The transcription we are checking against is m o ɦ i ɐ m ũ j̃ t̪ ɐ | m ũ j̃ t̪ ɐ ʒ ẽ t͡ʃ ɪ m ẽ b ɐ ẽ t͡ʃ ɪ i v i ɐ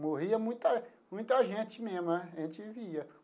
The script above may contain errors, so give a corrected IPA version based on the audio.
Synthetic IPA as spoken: m o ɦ i ɐ m ũ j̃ t̪ ɐ | m ũ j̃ t̪ ɐ ʒ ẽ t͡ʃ ɪ m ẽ m ɐ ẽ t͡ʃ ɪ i v i ɐ